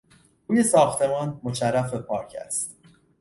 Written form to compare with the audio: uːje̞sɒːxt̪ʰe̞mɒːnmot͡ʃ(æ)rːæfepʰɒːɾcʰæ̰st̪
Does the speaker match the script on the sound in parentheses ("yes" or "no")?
yes